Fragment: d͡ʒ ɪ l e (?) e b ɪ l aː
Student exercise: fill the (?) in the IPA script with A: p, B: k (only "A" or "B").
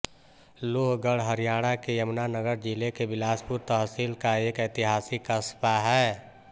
B